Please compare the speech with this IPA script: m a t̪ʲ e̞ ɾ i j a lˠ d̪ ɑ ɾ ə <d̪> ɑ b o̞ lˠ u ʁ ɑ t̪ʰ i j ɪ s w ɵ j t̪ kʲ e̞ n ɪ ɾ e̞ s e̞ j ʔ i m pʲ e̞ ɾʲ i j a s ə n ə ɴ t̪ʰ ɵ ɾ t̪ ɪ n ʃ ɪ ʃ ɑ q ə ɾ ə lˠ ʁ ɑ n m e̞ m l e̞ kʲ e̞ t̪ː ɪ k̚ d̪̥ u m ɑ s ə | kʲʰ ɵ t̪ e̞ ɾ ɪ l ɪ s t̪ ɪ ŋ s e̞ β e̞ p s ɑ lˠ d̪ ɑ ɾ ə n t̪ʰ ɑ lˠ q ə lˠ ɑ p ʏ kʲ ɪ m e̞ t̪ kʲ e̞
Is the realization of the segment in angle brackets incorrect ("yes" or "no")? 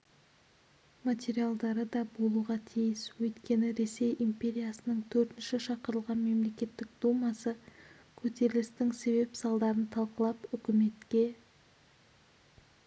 no